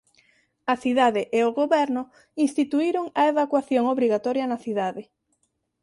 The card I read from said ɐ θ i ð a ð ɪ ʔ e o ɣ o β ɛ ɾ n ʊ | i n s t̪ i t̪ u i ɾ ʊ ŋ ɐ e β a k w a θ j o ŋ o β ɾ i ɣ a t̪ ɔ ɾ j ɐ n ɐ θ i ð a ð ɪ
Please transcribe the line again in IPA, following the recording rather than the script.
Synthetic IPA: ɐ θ i ð a ð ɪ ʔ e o ɣ o β ɛ ɾ n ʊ | i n s t̪ i t̪ u i ɾ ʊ ŋ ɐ e β a k w a θ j o ŋ o β ɾ i ɣ a t̪ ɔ ɾ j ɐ n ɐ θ i ð a ð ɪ